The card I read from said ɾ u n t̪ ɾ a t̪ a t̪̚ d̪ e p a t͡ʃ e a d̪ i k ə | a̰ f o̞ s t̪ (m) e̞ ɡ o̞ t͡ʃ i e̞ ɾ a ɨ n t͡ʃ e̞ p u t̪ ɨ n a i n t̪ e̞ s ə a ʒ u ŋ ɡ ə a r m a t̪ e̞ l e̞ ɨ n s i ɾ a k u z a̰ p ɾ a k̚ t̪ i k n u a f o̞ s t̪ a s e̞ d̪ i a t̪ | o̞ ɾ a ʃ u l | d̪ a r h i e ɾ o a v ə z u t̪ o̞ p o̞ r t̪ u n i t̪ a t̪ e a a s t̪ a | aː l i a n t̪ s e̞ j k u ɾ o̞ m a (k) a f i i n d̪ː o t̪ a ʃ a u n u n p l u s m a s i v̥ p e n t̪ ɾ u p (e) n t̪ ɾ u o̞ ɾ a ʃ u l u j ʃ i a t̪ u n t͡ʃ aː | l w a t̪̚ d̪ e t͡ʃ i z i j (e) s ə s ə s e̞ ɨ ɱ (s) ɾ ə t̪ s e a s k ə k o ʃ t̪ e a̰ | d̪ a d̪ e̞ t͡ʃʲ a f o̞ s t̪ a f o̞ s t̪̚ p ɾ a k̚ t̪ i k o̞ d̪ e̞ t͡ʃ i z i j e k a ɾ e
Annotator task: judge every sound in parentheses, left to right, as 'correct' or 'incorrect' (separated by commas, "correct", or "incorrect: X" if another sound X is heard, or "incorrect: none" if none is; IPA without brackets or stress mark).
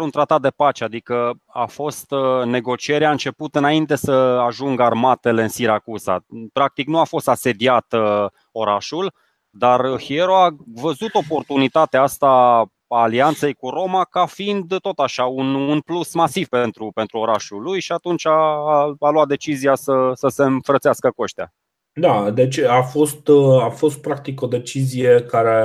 incorrect: n, correct, correct, incorrect: a, incorrect: f